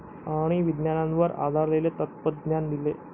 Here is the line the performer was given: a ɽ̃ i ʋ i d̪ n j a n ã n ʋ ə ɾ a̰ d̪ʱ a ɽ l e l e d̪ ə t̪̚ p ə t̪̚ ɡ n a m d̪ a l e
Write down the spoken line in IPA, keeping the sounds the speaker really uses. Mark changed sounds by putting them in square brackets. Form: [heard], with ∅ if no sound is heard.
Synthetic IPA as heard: a ɽ̃ i ʋ i d̪ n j a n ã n ʋ ə ɾ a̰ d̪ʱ a [ɾ] l e l e [t̪] ə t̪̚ p ə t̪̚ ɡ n a [n] d̪ [i] l e